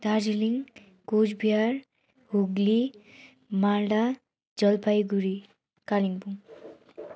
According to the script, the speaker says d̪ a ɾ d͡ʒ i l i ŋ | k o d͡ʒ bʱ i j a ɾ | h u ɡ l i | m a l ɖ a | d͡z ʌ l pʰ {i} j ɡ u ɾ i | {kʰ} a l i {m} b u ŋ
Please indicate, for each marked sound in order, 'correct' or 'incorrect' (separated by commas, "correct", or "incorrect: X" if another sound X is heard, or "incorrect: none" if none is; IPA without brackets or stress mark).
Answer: incorrect: a, incorrect: k, incorrect: ŋ